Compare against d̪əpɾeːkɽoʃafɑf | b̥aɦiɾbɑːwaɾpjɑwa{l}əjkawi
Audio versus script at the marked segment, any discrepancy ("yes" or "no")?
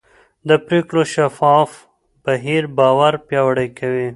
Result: yes